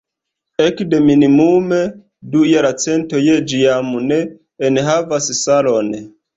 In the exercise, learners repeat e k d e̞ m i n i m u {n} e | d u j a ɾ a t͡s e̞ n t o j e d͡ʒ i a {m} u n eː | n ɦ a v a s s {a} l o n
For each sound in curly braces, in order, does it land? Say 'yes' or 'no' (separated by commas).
no, yes, yes